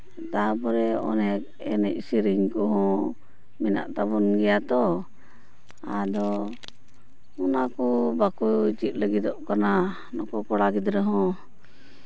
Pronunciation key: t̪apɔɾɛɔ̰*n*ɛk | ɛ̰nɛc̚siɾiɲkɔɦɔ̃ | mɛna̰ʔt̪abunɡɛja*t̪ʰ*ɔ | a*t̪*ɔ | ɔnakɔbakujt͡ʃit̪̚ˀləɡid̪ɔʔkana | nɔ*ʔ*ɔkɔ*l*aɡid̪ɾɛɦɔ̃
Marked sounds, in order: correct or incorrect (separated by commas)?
correct, incorrect, incorrect, incorrect, incorrect